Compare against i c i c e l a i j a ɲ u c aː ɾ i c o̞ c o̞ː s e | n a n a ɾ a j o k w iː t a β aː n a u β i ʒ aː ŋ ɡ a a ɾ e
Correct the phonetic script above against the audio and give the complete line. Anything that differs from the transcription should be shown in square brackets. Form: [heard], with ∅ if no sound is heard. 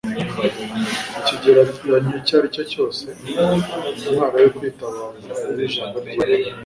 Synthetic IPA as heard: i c i [ɟ] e [ɾ] a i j a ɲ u c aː ɾ i c o̞ c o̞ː s e | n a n a ɾ a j o k w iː t a β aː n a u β i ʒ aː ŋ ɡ a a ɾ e